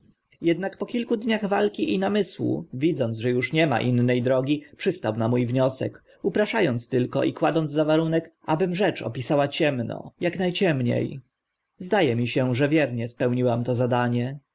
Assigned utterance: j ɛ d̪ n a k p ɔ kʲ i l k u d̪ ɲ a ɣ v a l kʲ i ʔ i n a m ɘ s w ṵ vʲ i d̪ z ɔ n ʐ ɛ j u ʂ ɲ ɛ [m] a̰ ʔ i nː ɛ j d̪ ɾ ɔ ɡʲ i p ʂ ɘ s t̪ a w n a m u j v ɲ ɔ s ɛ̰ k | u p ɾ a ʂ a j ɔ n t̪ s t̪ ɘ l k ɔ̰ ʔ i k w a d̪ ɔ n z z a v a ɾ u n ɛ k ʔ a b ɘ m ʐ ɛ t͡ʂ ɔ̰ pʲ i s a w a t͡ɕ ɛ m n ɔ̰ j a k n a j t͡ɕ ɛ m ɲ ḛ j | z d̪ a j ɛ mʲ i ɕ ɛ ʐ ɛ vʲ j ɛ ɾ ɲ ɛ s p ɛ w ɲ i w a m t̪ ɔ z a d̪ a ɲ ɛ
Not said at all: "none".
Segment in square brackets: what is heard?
m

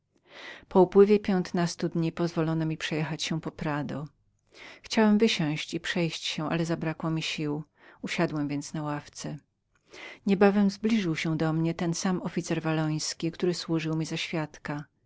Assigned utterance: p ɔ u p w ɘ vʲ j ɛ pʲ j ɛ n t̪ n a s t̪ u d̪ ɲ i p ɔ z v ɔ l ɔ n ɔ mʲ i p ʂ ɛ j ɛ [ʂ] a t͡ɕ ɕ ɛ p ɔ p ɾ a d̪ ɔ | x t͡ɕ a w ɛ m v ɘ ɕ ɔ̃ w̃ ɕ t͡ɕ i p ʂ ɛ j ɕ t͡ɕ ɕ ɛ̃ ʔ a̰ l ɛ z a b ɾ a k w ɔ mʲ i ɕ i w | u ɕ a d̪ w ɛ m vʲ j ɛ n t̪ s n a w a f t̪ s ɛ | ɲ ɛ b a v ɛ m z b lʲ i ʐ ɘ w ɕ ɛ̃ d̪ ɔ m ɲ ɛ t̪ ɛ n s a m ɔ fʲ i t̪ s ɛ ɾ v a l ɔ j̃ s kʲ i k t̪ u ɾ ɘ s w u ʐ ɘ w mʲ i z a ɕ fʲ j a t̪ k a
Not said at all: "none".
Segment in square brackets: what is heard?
x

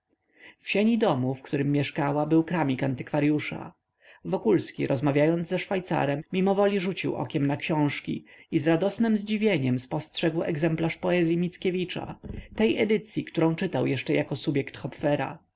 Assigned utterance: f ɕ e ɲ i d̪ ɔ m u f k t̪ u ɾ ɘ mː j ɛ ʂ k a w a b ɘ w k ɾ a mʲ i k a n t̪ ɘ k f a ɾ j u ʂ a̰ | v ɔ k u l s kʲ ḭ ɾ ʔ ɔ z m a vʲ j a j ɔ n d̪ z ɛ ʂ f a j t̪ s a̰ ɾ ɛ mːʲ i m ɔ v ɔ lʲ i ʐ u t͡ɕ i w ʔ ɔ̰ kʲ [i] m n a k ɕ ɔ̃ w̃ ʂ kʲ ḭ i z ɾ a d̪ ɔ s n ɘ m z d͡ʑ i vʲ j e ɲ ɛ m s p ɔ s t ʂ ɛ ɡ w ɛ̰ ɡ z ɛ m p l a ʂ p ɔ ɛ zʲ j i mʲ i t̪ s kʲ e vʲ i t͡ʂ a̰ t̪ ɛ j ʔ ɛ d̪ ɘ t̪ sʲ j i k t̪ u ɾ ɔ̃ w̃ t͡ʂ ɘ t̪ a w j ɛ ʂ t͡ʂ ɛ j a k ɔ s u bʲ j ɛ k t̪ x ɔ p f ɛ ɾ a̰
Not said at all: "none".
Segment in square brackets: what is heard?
ɛ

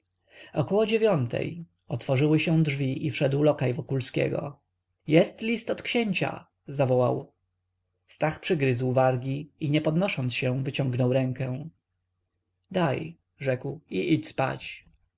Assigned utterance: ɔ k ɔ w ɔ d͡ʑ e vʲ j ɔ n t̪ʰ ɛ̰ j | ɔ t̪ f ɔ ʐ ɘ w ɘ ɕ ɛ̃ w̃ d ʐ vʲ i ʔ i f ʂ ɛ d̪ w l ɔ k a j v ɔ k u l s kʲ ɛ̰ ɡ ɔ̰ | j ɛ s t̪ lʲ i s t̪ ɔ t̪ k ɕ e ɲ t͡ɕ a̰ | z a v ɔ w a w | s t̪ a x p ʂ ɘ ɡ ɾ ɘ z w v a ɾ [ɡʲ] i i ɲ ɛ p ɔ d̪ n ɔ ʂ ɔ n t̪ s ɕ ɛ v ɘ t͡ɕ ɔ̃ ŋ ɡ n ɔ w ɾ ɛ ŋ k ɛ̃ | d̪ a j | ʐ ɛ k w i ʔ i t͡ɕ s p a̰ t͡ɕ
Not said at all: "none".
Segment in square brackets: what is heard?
ɡʲ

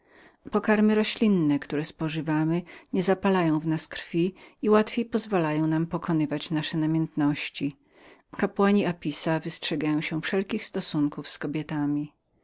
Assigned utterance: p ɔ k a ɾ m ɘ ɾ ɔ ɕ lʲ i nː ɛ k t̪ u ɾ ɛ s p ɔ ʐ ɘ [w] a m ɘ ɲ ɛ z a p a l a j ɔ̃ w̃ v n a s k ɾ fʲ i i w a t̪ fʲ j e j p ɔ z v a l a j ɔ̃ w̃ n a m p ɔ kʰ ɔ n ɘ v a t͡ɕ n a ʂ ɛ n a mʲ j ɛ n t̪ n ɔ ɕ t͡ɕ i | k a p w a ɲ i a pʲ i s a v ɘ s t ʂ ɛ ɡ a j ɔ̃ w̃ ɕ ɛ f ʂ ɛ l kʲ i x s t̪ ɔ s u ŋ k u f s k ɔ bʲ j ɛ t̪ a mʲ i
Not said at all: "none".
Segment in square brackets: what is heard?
v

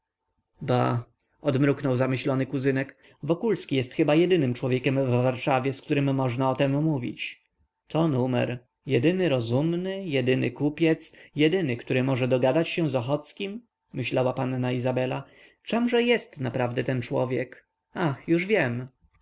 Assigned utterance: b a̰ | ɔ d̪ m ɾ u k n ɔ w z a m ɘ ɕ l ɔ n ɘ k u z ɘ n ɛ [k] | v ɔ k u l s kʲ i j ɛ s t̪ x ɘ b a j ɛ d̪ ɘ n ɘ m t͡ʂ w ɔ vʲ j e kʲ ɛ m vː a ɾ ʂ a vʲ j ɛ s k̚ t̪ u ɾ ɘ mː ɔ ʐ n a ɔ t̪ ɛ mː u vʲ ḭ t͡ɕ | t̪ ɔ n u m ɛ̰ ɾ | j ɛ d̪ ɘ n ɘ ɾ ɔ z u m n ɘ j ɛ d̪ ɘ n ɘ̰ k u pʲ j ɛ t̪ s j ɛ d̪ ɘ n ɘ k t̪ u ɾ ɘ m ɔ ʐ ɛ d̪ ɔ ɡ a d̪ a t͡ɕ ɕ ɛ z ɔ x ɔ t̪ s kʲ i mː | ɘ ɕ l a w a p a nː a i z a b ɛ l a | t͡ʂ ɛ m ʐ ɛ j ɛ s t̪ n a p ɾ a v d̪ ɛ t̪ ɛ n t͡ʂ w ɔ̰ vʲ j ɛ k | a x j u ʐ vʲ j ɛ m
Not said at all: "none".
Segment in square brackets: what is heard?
k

